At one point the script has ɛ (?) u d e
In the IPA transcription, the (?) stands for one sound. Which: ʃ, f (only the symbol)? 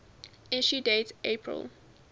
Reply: ʃ